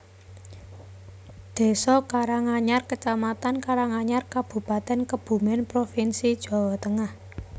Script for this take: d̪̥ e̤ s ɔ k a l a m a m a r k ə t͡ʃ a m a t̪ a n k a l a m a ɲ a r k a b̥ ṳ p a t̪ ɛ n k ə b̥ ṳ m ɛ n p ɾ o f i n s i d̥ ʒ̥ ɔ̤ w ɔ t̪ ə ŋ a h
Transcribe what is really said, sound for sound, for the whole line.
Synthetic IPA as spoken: d̪̥ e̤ s ɔ k a ɾ a ŋ a ɲ a r k ə t͡ʃ a m a t̪ a n k a ɾ a ŋ a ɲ a r k a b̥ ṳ p a t̪ ɛ n k ə b̥ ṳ m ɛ n p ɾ o f i n s i d̥ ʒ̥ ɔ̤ w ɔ t̪ ə ŋ a h